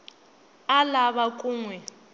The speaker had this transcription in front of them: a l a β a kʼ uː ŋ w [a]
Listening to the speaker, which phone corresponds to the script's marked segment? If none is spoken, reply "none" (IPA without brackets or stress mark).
ɛ